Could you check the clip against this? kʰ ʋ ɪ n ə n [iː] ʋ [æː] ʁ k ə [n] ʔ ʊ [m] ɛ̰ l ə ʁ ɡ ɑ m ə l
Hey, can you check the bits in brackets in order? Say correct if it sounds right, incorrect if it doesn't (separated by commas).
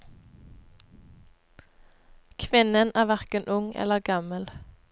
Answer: incorrect, incorrect, correct, incorrect